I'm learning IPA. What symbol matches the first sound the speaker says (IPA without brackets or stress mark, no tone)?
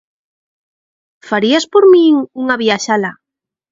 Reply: f